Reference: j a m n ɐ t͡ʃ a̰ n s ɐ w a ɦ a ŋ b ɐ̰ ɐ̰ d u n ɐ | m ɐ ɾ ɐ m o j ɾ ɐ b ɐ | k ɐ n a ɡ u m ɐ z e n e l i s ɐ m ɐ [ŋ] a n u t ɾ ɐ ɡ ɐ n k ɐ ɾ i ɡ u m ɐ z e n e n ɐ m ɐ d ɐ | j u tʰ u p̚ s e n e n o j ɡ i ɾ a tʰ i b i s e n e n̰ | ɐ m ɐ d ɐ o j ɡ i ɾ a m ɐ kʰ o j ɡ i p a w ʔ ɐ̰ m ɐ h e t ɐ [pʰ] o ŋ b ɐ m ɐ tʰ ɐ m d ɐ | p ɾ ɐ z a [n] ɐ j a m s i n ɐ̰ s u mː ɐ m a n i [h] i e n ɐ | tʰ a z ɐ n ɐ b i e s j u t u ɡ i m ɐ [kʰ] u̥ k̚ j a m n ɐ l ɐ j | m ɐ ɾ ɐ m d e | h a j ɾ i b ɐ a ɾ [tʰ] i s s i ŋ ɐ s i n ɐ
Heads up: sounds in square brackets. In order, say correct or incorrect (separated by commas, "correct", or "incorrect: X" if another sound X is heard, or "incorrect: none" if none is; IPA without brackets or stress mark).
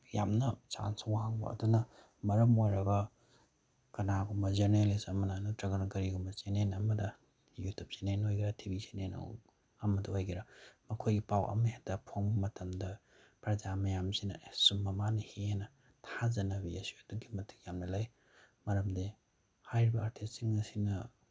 incorrect: n, correct, incorrect: m, correct, incorrect: tʰ, correct